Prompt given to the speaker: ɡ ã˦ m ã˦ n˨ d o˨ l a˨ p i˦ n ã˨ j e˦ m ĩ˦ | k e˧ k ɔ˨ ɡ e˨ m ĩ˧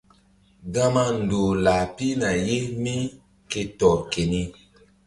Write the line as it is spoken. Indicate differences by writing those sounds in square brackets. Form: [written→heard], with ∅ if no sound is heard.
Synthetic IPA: ɡ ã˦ m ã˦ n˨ d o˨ l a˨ p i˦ n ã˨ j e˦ m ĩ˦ | k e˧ [k→t] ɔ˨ [ɡ→k] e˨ [m→n] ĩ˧